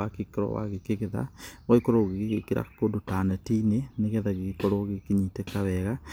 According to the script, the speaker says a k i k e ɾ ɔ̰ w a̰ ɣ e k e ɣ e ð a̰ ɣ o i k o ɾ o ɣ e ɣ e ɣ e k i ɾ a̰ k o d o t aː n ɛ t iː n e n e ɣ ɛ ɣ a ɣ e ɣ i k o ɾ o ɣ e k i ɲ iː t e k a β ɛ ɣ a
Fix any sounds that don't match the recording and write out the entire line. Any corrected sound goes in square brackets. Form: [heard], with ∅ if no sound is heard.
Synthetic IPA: a k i k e ɾ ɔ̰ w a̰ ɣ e k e ɣ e ð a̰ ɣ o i k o ɾ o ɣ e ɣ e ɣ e k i ɾ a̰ k o d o t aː n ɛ t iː n e n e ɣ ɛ [ð] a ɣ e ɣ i k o ɾ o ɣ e k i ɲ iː t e k a β ɛ ɣ a